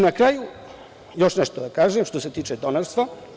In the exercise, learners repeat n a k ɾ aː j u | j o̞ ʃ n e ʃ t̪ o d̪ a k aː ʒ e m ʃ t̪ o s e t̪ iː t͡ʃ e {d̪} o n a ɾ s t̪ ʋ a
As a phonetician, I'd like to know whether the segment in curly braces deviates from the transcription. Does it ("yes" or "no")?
no